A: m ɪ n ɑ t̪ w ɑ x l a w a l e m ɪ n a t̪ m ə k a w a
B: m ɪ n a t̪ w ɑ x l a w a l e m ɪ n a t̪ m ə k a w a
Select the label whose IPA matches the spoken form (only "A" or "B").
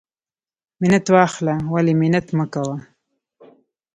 B